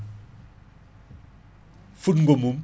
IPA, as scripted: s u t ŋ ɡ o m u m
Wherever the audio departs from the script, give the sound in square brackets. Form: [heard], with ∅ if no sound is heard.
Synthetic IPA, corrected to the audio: [f] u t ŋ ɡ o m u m